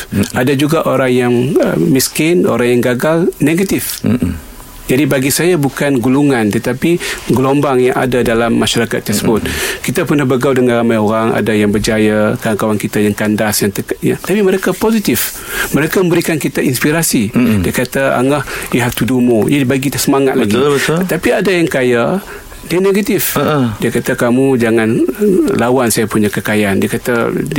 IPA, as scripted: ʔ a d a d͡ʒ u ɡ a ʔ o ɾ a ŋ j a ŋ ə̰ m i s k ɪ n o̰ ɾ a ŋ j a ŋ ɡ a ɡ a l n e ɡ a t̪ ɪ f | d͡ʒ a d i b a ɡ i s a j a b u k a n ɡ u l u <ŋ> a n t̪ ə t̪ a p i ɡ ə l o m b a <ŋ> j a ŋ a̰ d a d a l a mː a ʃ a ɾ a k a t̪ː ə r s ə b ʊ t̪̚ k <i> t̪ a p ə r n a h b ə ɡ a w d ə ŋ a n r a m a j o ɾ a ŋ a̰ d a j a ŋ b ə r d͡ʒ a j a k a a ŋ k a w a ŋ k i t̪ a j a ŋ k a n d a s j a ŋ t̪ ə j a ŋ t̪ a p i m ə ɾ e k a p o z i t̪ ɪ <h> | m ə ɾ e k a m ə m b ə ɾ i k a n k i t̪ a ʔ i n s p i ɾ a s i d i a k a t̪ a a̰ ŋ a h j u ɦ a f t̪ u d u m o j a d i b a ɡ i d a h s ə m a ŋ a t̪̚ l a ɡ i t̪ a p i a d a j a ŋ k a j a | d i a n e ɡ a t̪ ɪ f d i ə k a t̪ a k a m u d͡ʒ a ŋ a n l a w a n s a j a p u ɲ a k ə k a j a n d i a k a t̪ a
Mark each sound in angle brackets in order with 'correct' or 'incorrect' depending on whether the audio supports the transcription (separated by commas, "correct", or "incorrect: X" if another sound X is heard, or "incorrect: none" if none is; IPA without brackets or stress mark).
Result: correct, correct, correct, incorrect: f